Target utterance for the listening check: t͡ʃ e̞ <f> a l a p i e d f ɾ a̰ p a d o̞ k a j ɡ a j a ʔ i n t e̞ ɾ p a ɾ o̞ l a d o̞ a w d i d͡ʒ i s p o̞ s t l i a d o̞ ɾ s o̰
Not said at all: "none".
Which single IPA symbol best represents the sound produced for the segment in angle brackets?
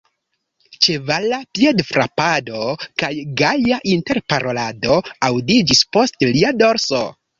v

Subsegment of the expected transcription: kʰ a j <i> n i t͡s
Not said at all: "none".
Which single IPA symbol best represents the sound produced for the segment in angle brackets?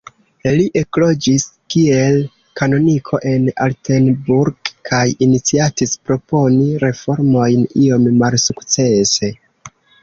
i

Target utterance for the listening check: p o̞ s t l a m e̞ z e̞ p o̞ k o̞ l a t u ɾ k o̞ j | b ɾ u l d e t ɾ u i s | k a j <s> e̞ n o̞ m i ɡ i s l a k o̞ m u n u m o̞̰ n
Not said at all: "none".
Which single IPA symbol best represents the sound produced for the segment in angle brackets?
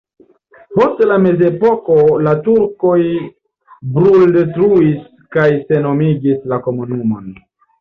s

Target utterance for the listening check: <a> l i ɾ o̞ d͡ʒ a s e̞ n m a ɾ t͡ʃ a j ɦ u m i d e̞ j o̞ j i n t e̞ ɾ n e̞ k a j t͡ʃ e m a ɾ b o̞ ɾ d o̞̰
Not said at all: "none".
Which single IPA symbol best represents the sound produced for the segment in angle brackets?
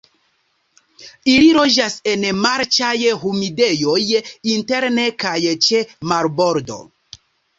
i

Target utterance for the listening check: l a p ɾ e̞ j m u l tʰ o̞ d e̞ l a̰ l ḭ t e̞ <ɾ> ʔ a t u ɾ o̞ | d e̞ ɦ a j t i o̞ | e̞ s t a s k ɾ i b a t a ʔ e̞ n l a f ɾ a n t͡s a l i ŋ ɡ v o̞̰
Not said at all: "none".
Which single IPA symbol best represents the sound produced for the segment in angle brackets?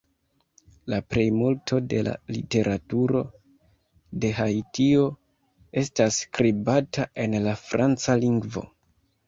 ɾ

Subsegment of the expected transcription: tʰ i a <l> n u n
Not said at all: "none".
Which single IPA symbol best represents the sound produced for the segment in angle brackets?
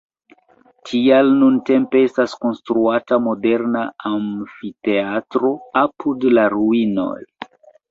l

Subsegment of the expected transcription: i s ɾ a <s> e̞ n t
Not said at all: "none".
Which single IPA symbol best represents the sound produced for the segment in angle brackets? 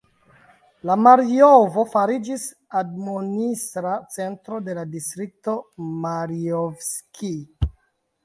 t͡s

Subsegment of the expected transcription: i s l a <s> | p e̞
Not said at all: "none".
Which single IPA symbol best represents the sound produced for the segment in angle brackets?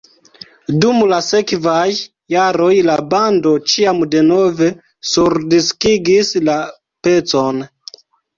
none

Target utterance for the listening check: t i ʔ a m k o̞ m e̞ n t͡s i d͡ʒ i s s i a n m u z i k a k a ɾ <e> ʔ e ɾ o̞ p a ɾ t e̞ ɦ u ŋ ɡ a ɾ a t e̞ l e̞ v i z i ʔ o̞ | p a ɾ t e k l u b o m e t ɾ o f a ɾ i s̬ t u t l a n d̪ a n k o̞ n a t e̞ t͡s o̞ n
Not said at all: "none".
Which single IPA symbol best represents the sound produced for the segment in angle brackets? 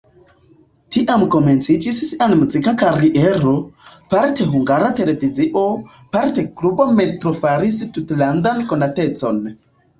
i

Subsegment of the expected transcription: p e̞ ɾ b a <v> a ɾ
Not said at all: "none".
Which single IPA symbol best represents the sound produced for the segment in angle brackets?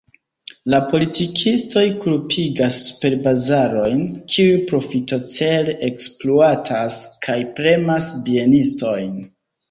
z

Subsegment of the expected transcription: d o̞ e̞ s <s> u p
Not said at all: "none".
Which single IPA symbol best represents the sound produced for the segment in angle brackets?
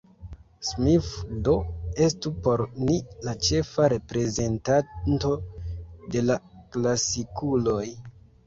t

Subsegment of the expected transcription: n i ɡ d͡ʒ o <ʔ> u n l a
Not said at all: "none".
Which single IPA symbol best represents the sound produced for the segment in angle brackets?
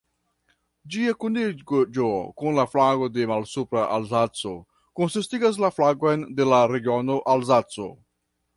k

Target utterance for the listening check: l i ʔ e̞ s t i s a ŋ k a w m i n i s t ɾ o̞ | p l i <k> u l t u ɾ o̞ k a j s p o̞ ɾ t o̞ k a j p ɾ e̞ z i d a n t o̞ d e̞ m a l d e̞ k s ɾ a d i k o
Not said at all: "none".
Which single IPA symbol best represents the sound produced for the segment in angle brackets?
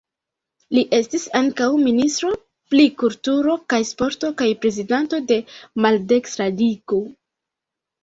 k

